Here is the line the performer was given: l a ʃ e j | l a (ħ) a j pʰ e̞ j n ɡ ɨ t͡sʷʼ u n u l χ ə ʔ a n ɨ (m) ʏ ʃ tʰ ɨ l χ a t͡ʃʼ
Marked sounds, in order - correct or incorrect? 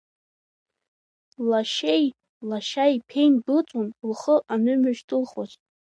incorrect: ʃ, correct

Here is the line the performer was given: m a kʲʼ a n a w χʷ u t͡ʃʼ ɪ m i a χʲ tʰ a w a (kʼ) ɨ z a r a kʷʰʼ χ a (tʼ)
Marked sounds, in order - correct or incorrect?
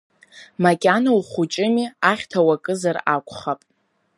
correct, incorrect: pʼ

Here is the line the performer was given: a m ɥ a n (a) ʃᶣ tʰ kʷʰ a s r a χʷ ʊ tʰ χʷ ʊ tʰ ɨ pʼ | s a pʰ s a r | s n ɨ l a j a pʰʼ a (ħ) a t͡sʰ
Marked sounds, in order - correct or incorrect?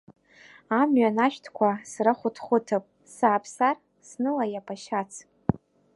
correct, incorrect: ʃ

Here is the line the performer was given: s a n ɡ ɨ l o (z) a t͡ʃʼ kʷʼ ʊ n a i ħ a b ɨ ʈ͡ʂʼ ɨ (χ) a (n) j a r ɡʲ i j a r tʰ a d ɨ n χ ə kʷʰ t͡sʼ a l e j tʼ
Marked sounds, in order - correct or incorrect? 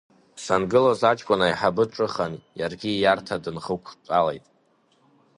correct, correct, correct

